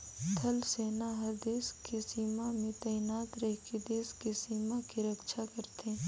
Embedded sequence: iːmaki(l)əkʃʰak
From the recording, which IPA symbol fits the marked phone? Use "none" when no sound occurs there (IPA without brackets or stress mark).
ɾ